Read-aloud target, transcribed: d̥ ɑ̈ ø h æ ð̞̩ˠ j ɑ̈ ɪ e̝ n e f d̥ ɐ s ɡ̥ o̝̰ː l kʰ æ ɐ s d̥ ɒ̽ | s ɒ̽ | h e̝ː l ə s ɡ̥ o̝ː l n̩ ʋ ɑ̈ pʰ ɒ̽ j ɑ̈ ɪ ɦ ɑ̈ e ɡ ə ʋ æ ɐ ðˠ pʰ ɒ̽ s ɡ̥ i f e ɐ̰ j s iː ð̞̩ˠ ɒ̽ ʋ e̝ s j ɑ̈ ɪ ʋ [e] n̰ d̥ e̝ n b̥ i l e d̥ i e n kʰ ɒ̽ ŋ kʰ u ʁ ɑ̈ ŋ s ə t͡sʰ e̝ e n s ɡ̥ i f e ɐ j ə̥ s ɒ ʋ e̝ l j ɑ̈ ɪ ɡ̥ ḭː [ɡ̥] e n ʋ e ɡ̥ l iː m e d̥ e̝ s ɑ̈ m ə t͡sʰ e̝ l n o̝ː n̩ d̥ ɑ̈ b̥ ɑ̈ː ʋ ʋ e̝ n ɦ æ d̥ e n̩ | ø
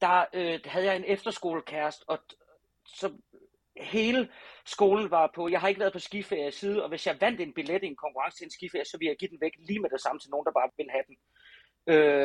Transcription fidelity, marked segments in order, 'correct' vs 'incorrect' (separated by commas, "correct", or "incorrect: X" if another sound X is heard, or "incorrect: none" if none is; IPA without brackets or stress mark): incorrect: æ, incorrect: d̥